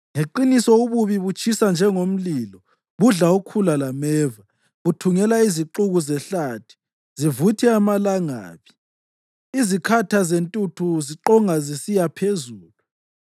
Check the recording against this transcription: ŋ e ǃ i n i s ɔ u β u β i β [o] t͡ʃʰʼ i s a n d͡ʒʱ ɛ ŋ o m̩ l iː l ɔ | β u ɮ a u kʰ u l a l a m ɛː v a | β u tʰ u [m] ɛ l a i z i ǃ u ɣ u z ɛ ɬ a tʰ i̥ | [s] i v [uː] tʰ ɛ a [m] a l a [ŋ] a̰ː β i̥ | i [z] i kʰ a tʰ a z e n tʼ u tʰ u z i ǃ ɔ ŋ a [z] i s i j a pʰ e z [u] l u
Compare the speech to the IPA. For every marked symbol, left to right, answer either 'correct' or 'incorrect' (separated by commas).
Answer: incorrect, incorrect, incorrect, incorrect, correct, correct, correct, correct, incorrect